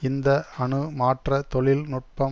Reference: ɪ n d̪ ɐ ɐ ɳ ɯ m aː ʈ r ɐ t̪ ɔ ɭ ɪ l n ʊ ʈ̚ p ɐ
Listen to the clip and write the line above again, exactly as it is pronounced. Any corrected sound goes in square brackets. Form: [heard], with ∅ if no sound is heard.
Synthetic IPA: ɪ n d̪ ɐ ɐ ɳ ɯ m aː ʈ r ɐ t̪ ɔ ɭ ɪ l n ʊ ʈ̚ p ɐ